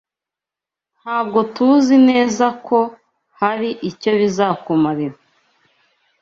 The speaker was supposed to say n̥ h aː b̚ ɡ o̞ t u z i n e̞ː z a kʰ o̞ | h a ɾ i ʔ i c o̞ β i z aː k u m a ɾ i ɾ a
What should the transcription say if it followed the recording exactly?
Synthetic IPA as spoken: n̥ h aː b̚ ɡ o̞ t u z i n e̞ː z a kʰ o̞ | h a ɾ i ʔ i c o̞ β i z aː k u m a ɾ i ɾ a